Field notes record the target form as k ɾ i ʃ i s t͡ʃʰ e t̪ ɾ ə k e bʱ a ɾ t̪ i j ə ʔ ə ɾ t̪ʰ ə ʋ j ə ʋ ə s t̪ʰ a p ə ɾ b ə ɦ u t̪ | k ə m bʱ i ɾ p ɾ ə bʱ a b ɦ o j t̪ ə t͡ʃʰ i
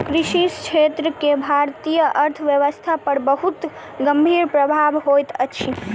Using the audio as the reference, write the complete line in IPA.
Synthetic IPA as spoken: k ɾ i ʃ i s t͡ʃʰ e t̪ ɾ ə k e bʱ a ɾ t̪ i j ə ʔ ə ɾ t̪ʰ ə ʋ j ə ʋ ə s t̪ʰ a p ə ɾ b ə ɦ u t̪ | ɡ ə m bʱ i ɾ p ɾ ə bʱ a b ɦ o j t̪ ə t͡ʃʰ i